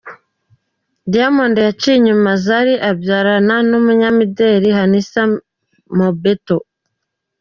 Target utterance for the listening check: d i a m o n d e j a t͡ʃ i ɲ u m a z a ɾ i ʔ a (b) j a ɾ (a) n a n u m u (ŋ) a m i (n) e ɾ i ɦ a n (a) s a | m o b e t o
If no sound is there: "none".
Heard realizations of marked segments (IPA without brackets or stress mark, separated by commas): b, a, ɲ, d, i